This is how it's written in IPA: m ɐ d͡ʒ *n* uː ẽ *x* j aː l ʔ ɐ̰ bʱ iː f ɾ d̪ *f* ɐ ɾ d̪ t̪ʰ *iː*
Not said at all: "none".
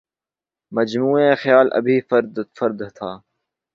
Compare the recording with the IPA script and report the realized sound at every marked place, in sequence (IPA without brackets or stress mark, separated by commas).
m, x, f, aː